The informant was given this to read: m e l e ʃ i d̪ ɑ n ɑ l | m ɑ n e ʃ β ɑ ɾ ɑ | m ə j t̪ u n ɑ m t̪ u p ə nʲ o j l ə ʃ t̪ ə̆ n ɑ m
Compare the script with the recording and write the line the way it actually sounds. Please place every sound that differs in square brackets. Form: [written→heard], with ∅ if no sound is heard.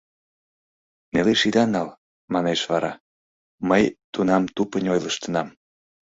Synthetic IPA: [m→n] e l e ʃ i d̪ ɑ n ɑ l | m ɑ n e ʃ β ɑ ɾ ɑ | m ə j t̪ u n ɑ m t̪ u p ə nʲ o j l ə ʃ t̪ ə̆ n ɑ m